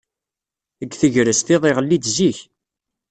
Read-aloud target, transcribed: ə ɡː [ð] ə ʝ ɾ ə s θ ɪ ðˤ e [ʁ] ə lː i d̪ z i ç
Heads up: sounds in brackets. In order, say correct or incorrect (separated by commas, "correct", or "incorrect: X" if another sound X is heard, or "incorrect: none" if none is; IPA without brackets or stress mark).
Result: incorrect: θ, correct